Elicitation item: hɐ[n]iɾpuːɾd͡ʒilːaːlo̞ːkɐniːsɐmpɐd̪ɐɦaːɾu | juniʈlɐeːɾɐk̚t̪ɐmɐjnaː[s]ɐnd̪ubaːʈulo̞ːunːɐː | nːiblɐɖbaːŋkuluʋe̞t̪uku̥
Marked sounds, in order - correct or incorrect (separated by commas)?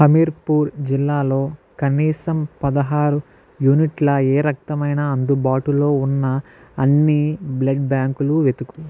incorrect, incorrect